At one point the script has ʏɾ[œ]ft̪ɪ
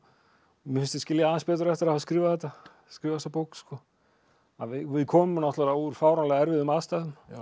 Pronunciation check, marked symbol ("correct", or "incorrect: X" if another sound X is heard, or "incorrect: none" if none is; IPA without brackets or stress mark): incorrect: ɛ